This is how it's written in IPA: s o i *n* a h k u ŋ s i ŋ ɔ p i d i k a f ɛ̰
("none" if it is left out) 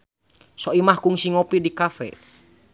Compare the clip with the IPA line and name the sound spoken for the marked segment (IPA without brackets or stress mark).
m